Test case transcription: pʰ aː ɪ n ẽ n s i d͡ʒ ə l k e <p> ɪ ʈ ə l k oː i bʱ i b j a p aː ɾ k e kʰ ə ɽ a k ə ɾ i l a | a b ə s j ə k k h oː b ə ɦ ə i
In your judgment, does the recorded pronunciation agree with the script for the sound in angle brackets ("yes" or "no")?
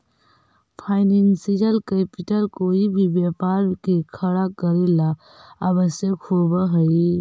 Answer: yes